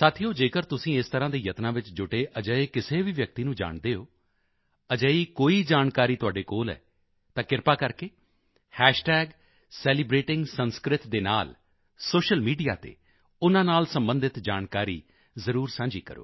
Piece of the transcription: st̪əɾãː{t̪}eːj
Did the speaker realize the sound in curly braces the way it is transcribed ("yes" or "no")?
no